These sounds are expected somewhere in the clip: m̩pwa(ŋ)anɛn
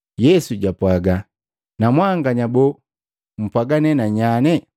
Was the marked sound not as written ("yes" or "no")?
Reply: yes